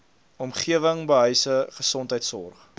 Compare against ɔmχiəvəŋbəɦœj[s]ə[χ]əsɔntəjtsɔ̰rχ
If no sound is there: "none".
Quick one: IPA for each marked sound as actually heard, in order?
s, χ

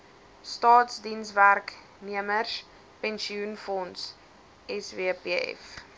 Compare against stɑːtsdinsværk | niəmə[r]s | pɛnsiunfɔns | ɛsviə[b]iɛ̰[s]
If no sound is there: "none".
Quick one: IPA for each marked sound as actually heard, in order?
r, p, f

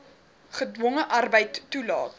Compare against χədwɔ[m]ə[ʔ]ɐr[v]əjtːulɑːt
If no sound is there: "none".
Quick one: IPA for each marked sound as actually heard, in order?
ŋ, ʔ, b

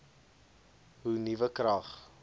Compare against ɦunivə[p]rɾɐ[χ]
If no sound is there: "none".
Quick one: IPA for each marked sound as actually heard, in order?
k, χ

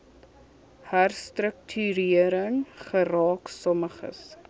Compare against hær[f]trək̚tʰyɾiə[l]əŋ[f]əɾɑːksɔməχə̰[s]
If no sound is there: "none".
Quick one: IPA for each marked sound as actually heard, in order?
s, ɾ, χ, s

